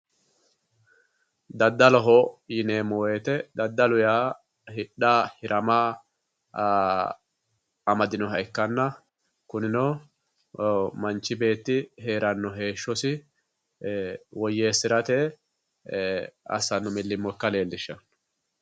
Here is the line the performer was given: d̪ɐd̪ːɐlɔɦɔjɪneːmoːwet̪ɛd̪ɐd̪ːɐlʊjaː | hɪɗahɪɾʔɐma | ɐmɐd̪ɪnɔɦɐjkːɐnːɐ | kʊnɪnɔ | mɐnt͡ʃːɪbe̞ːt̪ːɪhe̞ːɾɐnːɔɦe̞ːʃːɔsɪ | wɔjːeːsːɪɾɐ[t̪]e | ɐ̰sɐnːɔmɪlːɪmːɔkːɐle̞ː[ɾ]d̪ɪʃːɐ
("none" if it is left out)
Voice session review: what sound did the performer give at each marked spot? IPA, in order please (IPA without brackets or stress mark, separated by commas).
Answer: t̪, l